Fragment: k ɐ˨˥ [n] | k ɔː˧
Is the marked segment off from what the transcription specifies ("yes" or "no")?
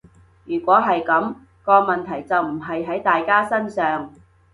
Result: yes